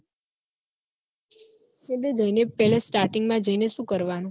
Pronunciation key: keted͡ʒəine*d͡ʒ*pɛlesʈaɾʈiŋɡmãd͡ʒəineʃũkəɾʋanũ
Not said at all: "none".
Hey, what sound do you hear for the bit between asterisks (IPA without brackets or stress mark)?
none